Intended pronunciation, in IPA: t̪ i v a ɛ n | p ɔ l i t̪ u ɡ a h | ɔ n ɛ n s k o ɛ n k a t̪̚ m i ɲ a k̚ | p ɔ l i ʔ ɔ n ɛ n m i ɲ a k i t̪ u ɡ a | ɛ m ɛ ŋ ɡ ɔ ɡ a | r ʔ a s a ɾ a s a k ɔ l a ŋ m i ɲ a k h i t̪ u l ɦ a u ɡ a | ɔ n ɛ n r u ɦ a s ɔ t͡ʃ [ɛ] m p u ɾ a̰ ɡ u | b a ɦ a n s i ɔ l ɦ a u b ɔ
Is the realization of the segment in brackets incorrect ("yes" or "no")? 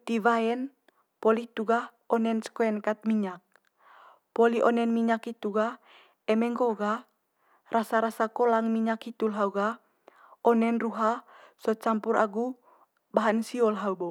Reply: yes